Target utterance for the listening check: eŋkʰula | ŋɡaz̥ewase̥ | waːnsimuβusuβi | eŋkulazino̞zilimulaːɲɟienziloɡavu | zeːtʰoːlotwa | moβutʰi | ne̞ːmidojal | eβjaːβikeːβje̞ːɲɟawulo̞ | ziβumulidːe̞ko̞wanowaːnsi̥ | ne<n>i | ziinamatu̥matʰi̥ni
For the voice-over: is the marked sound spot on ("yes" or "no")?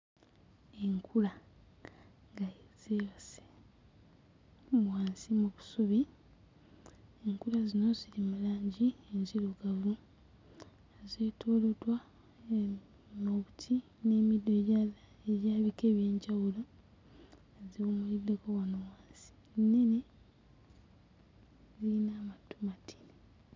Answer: yes